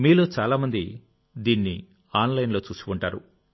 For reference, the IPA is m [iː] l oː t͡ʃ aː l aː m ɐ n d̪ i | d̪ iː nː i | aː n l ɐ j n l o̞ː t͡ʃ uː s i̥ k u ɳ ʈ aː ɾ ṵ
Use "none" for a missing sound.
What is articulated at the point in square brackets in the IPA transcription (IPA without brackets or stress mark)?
iː